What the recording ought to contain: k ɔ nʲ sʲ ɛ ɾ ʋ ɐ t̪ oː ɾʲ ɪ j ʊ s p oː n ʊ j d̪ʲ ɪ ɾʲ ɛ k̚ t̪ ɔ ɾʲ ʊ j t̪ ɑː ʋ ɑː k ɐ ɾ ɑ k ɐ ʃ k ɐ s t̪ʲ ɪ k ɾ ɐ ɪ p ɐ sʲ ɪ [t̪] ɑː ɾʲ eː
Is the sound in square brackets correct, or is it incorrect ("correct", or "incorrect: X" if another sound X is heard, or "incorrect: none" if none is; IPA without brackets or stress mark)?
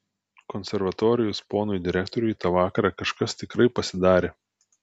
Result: incorrect: d̪